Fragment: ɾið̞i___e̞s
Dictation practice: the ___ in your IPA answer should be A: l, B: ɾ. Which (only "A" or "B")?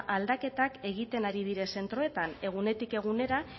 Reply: B